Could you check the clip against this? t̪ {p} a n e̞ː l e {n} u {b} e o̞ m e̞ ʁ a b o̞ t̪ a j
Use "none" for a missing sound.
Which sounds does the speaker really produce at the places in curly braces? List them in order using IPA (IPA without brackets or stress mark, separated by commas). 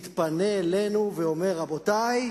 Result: p, n, v